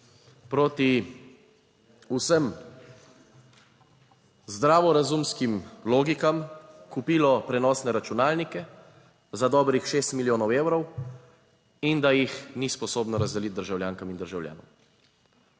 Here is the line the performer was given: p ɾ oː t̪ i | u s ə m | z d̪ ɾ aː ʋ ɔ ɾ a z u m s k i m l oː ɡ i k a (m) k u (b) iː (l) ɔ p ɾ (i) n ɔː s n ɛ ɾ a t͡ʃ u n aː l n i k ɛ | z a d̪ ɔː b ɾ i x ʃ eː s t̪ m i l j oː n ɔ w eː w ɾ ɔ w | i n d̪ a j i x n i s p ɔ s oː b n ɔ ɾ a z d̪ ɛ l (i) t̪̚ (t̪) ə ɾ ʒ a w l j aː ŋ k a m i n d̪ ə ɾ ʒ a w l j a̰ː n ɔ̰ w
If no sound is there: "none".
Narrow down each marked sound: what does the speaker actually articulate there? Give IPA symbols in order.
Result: m, p, l, ɛ, i, d̪

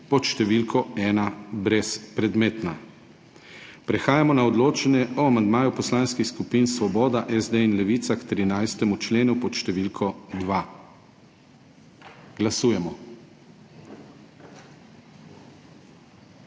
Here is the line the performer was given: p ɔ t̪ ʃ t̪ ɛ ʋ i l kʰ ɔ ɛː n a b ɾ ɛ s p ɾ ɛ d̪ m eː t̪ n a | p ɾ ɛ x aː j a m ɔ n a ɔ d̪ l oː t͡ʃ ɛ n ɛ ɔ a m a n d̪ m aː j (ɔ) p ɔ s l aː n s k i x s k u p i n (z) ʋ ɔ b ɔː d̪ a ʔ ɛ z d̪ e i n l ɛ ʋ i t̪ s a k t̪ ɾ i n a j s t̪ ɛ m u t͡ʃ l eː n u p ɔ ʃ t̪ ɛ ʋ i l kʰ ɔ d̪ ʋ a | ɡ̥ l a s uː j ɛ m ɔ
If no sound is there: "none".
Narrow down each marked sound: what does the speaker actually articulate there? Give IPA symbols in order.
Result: u, s

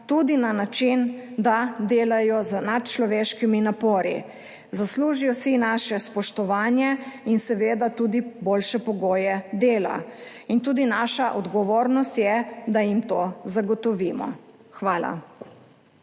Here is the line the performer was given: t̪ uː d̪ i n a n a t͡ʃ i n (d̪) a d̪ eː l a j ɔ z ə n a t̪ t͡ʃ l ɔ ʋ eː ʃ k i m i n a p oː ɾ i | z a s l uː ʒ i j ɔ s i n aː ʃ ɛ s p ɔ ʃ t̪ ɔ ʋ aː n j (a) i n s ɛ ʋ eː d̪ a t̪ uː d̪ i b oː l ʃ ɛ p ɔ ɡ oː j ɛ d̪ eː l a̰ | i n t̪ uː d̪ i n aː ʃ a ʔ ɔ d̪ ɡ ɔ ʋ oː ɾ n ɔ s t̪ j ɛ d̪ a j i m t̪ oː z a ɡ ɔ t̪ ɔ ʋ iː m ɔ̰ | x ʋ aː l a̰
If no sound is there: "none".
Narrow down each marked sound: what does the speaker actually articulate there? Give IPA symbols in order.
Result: d̪, ɛ

